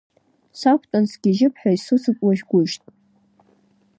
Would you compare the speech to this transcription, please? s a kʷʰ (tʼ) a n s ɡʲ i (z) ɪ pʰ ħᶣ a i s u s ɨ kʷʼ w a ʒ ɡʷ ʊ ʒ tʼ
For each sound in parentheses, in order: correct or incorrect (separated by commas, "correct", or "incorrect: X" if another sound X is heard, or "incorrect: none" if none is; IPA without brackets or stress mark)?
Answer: correct, incorrect: ʒ